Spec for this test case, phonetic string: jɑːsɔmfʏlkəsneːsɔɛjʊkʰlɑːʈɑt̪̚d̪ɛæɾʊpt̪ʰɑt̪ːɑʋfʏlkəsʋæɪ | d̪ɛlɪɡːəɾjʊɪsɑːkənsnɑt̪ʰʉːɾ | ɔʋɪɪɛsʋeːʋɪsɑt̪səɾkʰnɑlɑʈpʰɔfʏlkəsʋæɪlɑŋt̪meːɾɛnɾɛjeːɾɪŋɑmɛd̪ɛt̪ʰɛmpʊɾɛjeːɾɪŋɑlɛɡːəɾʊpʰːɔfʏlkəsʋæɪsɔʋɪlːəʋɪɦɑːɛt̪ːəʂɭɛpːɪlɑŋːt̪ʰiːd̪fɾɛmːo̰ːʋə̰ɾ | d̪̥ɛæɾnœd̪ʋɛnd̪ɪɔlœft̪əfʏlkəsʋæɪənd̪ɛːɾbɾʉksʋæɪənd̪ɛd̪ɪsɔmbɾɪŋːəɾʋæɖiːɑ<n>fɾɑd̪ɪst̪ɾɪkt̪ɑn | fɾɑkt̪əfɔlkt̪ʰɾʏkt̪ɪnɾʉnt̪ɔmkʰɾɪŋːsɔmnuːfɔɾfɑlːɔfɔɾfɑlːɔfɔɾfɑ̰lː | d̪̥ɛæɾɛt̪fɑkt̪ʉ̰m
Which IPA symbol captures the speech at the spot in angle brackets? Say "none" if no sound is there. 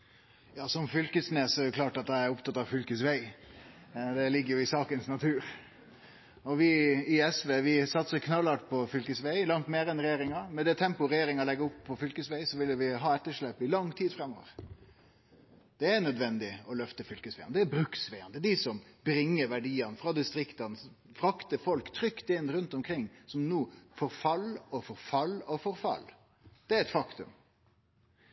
n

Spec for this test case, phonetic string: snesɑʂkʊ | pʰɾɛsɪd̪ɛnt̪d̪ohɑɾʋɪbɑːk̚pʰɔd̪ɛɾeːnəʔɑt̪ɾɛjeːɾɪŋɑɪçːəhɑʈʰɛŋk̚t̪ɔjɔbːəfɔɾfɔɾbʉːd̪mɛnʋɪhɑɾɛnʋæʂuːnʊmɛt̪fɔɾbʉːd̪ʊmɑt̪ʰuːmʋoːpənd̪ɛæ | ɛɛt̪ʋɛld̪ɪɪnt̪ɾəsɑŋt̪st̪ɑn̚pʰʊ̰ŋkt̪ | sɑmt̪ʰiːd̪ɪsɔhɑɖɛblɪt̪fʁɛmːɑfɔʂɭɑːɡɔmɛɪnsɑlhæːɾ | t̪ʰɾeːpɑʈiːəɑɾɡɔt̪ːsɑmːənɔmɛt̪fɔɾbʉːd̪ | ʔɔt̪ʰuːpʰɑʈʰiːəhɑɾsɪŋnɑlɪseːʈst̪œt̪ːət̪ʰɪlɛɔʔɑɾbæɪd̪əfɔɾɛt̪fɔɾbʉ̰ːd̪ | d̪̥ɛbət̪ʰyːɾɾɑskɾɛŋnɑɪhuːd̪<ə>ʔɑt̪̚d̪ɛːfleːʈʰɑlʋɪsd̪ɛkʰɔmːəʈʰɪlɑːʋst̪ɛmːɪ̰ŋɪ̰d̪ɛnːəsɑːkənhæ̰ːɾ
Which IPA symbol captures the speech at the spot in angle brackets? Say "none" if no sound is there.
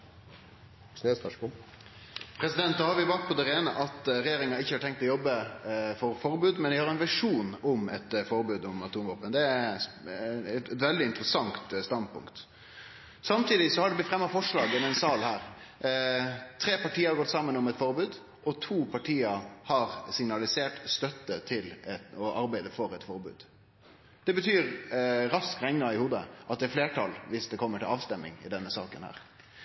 ə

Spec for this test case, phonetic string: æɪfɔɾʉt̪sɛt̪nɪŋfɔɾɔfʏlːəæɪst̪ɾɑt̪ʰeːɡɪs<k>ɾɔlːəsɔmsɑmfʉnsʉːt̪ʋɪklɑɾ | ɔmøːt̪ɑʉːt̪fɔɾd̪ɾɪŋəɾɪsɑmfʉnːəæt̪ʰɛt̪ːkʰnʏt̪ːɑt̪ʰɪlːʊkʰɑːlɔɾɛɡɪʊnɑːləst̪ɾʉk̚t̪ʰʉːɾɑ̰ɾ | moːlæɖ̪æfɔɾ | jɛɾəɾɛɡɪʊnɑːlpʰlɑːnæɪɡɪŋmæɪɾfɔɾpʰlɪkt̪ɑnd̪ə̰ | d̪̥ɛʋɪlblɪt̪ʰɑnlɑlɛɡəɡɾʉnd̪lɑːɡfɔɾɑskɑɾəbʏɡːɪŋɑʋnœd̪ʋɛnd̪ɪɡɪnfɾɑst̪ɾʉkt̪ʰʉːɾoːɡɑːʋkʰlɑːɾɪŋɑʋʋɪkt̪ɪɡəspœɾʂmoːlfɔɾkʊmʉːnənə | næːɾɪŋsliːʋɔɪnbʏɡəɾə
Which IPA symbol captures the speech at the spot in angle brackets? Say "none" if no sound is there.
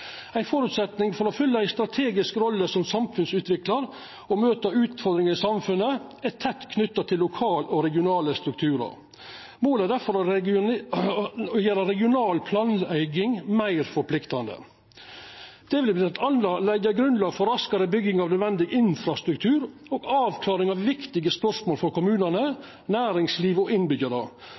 k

